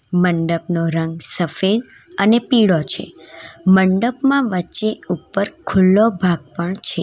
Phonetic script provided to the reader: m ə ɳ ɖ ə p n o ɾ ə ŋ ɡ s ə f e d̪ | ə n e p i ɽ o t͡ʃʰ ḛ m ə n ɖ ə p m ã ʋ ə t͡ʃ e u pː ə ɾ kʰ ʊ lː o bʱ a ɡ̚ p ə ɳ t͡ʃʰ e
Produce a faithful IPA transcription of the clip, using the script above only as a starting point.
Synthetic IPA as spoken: m ə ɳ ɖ ə p n o ɾ ə ŋ ɡ s ə f e d̪ | ə n e p i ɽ o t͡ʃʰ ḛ m ə ɳ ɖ ə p m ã ʋ ə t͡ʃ e u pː ə ɾ kʰ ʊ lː o bʱ a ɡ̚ p ə ɳ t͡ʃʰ e